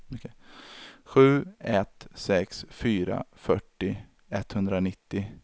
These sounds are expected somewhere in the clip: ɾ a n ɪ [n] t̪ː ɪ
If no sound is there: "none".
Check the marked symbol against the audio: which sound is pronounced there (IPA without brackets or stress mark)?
none